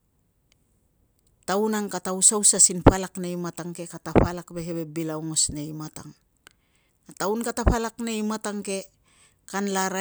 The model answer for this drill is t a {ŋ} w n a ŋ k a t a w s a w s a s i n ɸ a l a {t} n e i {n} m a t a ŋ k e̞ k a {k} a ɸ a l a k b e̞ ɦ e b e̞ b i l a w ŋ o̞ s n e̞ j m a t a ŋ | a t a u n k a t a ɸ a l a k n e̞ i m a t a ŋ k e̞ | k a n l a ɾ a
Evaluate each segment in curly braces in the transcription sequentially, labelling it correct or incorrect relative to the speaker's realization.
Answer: incorrect, incorrect, incorrect, incorrect

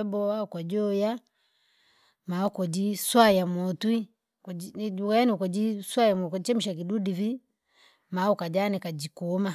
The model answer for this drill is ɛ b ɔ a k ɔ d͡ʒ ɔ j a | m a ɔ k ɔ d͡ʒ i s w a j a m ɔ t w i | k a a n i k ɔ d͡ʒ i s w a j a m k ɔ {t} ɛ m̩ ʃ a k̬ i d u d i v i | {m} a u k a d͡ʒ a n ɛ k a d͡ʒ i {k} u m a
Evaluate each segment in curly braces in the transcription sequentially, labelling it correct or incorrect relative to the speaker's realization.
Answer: incorrect, correct, correct

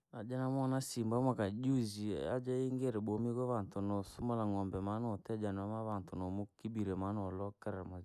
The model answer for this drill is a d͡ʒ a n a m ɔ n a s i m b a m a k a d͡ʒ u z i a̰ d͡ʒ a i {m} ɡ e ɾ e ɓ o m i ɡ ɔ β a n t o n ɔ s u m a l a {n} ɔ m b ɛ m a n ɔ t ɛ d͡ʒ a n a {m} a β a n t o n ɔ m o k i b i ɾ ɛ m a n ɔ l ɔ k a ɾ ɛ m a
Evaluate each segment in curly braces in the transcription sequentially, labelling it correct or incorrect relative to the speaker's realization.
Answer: incorrect, incorrect, correct

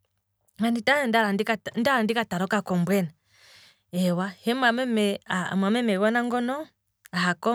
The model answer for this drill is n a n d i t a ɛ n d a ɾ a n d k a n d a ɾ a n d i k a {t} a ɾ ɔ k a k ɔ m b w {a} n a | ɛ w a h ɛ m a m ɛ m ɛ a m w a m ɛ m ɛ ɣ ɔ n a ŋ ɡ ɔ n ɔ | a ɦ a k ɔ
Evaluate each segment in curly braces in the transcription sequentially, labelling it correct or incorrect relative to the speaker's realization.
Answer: correct, incorrect

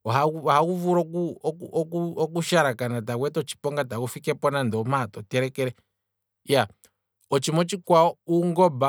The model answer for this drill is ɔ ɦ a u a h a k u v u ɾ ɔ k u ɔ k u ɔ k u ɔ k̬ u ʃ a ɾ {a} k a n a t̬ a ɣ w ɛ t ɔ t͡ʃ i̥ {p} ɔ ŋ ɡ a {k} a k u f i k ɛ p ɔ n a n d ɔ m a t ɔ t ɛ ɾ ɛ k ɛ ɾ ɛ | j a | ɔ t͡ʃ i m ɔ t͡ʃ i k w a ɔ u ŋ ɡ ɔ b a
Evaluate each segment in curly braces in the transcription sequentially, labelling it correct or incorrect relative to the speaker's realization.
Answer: correct, correct, incorrect

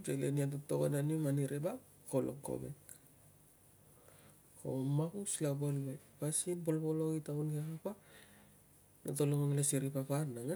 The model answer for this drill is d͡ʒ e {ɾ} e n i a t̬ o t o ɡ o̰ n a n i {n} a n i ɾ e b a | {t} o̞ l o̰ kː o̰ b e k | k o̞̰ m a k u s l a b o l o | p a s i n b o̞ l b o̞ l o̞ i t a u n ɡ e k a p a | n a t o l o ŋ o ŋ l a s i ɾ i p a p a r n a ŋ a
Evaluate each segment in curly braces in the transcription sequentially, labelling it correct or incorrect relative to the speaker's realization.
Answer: incorrect, incorrect, incorrect

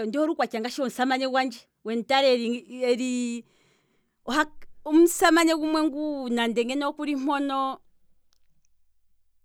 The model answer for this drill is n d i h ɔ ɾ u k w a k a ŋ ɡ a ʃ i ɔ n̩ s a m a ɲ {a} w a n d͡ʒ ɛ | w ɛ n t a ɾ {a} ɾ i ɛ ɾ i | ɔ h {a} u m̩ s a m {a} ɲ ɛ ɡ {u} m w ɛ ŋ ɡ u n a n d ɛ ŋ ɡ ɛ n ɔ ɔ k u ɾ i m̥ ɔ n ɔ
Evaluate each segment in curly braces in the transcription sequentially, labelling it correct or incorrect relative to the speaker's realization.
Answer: incorrect, incorrect, correct, correct, correct

